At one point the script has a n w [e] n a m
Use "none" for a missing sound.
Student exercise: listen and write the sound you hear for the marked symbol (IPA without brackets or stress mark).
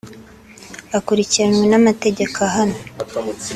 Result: e